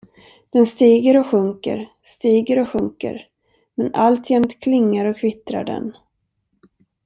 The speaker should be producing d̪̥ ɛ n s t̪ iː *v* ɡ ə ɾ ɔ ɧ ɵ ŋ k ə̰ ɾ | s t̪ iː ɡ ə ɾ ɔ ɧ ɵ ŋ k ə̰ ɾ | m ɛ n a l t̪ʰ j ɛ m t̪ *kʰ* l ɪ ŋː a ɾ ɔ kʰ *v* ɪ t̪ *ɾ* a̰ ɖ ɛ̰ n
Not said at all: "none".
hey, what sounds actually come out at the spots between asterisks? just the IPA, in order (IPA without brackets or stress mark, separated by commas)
none, kʰ, v, ɾ